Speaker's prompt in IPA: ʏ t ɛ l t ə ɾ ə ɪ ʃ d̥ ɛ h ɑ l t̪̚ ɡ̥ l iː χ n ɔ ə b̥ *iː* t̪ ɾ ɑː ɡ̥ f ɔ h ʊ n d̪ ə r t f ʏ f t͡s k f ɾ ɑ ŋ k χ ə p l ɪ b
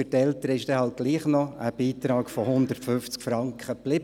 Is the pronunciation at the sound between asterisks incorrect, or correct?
correct